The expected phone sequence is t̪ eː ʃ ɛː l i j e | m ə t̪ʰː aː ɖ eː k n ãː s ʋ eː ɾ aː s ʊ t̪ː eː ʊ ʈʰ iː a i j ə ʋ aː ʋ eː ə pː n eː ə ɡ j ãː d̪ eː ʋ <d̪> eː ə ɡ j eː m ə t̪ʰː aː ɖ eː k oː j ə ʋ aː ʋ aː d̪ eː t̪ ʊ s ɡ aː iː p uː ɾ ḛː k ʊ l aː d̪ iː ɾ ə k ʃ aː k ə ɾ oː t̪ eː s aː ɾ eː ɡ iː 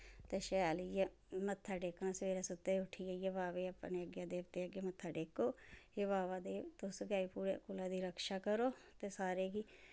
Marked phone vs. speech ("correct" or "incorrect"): incorrect